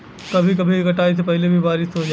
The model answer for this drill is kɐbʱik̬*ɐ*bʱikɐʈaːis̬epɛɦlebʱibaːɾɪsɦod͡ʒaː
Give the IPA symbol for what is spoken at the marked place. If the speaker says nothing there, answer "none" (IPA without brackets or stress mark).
ɐ